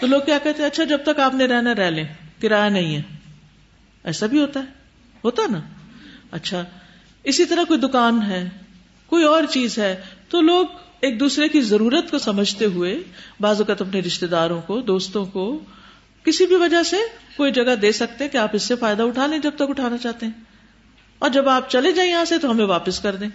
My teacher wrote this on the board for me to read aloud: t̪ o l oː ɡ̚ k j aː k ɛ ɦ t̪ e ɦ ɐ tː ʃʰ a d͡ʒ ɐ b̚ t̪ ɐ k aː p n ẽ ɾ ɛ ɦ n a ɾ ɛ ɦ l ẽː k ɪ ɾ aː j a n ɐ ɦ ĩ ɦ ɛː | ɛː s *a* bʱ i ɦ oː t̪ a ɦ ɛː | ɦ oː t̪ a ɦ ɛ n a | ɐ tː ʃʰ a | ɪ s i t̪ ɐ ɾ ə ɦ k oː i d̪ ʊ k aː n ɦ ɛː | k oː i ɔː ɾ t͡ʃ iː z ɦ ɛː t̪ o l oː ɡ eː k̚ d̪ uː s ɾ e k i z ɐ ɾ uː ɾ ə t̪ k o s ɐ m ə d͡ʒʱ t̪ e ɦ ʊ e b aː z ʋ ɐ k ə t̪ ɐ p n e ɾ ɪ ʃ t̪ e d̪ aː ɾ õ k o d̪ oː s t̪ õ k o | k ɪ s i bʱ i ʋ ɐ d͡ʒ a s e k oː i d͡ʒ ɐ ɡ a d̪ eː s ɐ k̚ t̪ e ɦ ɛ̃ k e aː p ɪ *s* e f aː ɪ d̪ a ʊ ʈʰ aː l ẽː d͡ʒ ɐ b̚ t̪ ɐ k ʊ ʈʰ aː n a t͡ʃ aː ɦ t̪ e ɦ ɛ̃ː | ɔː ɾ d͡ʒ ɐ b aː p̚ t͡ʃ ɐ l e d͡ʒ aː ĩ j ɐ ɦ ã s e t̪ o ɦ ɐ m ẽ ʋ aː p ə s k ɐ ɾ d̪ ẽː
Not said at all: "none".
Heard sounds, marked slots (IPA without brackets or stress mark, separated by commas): a, sː